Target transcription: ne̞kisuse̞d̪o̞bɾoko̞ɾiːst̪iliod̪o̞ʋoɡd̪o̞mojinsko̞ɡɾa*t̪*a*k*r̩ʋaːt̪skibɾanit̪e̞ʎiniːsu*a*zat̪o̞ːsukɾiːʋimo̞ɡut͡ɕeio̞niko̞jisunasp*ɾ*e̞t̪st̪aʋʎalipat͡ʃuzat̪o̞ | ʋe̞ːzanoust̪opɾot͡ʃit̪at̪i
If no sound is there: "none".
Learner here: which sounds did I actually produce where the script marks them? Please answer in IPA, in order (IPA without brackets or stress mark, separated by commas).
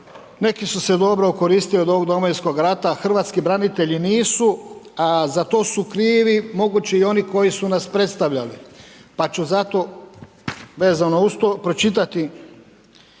t̪, x, a, ɾ